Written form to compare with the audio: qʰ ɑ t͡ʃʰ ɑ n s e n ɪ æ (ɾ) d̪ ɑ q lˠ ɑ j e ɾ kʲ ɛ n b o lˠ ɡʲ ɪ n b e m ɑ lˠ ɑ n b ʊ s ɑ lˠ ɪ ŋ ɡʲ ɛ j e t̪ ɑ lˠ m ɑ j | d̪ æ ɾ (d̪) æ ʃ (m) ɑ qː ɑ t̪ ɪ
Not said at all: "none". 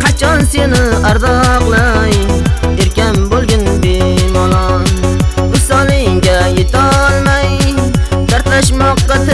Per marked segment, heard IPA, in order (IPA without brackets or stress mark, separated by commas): ɾ, t̪, m